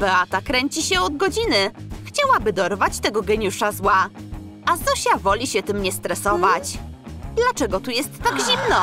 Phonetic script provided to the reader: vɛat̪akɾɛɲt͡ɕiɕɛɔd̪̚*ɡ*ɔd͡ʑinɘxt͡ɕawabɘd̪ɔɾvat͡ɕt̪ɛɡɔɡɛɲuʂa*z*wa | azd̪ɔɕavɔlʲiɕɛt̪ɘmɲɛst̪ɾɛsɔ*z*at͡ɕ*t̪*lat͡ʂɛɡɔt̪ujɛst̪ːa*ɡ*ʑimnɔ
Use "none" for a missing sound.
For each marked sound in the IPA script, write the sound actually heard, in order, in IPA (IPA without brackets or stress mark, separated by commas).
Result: ɡ, z, v, d̪, ɡ